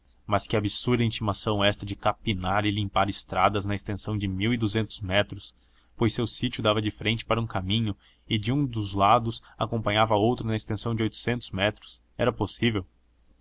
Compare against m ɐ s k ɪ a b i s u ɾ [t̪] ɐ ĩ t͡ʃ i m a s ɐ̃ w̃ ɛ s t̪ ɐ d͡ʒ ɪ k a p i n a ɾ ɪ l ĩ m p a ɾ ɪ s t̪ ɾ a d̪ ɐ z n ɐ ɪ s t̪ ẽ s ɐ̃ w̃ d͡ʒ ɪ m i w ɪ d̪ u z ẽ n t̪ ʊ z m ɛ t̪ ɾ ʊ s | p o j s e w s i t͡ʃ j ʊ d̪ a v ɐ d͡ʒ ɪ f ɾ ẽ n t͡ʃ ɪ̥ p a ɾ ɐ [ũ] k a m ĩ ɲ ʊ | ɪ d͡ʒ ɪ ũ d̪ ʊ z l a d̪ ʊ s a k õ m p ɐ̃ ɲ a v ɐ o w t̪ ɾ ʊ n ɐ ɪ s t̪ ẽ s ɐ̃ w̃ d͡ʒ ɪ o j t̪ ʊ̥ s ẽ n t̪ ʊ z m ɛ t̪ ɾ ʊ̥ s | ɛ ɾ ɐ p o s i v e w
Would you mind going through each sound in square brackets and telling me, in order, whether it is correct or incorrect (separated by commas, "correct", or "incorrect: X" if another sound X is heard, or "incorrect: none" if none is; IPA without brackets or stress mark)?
incorrect: d̪, correct